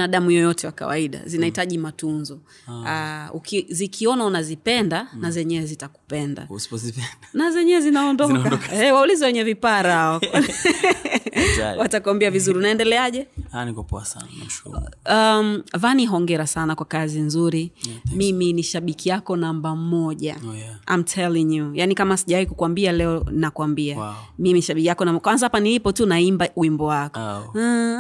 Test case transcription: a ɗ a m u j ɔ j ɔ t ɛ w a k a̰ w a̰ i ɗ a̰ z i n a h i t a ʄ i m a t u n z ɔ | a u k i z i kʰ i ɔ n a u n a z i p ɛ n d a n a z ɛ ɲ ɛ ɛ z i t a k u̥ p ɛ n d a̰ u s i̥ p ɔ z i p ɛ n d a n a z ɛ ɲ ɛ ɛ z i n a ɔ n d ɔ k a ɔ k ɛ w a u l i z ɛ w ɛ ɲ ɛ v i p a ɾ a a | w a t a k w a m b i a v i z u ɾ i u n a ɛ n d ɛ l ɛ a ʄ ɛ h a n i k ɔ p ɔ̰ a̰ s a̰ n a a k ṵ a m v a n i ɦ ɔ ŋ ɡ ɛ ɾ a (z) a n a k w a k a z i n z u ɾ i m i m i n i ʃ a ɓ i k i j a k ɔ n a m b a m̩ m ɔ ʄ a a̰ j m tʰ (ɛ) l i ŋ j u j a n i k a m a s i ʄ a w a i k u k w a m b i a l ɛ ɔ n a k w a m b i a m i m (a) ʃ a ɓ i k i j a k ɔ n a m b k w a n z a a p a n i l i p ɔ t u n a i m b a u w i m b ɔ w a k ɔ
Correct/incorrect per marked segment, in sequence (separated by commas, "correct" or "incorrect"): incorrect, correct, incorrect